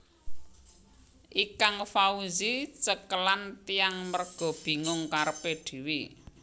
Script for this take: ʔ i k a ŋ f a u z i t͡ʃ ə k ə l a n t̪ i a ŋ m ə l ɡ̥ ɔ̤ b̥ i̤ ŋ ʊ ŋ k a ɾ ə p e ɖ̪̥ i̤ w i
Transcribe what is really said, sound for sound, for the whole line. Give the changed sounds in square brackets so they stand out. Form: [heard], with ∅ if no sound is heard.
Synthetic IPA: ʔ i k a ŋ f a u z i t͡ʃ ə k ə l a n t̪ i a ŋ m ə [r] ɡ̥ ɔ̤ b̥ i̤ ŋ ʊ ŋ k a ɾ ə p e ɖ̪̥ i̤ w i